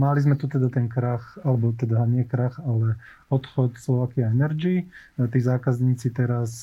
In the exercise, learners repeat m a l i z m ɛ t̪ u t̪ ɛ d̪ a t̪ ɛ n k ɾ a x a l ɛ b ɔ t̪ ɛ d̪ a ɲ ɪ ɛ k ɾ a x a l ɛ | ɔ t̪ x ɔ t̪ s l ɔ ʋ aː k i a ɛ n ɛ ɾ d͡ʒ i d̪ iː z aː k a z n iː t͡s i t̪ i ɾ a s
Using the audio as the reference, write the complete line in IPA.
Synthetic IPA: m a l i z m ɛ t̪ u t̪ ɛ d̪ a t̪ ɛ n k ɾ a x a l ɛ b ɔ t̪ ɛ d̪ a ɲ ɪ ɛ k ɾ a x a l ɛ | ɔ t̪ x ɔ t̪ s l ɔ ʋ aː k i a ɛ n ɛ ɾ d͡ʒ i t̪ iː z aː k a z ɲ iː t͡s i t̪ ɛ ɾ a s